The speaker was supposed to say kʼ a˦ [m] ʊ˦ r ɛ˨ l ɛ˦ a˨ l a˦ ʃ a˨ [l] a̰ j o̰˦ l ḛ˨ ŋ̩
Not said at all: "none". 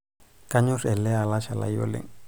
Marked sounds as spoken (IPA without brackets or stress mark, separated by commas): ɲ, l